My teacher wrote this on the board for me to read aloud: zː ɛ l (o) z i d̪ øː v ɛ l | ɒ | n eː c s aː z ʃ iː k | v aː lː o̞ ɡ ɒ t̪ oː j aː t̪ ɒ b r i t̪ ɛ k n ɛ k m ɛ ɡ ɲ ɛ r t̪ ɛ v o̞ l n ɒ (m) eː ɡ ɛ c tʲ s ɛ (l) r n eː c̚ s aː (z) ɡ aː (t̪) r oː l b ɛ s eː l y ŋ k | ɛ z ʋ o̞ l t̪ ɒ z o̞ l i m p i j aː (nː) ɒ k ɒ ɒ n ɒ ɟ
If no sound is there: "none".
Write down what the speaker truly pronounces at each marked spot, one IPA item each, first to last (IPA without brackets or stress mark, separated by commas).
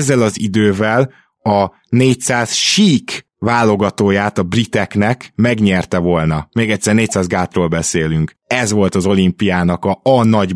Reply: ɒ, m, none, z, t̪, n